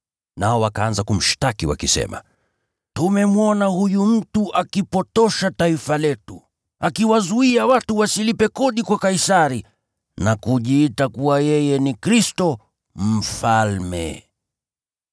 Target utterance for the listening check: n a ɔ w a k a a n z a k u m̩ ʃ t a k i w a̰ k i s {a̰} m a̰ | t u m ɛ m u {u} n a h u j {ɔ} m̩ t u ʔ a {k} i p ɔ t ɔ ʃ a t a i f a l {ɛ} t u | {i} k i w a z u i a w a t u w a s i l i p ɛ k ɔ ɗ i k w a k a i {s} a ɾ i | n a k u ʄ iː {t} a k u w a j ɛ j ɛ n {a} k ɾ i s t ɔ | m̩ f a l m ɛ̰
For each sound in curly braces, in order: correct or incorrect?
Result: incorrect: ɛ̰, incorrect: ɔ, incorrect: u, correct, correct, incorrect: a, correct, correct, incorrect: i

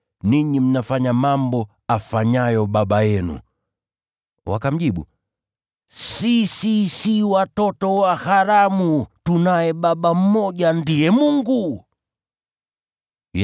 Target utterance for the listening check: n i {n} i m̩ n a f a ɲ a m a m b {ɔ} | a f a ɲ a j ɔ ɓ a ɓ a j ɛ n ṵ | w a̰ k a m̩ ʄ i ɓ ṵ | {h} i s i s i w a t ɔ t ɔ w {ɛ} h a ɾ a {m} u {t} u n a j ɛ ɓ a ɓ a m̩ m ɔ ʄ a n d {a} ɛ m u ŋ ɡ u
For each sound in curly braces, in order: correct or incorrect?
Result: incorrect: ɲ, correct, incorrect: s, incorrect: a, correct, correct, incorrect: i

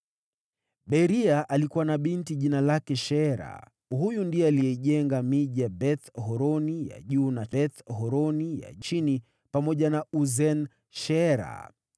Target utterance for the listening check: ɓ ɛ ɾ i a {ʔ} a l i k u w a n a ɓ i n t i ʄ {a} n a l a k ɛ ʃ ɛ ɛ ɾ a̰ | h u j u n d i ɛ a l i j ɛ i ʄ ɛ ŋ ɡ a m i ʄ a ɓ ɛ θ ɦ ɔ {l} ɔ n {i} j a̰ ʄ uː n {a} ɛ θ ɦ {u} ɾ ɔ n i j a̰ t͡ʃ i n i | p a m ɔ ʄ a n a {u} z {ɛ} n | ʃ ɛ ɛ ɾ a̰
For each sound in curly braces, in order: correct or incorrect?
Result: correct, incorrect: i, incorrect: ɾ, correct, correct, incorrect: ɔ, correct, correct

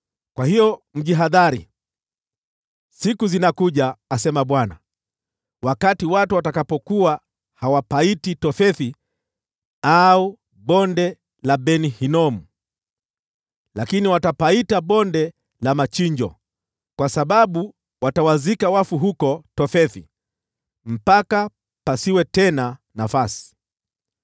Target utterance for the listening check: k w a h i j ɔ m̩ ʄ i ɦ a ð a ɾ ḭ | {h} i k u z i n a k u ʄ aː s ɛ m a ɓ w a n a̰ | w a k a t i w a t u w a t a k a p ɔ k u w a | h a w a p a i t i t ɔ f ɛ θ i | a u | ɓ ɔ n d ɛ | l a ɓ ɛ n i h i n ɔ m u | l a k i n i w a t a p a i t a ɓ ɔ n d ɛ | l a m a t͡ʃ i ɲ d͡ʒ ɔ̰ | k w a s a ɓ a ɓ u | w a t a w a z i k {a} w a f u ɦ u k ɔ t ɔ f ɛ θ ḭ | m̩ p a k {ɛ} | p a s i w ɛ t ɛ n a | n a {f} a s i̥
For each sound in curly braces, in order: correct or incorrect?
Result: incorrect: s, correct, incorrect: a, correct

